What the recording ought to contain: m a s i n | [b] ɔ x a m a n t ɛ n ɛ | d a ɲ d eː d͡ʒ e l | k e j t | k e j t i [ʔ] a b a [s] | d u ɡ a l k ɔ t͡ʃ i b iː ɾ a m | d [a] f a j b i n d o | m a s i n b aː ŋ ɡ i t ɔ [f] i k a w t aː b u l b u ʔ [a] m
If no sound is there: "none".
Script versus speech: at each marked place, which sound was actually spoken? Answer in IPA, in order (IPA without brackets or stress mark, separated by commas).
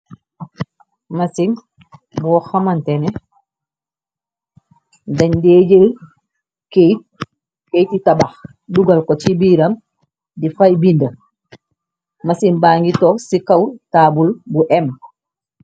b, t, x, i, s, ɛ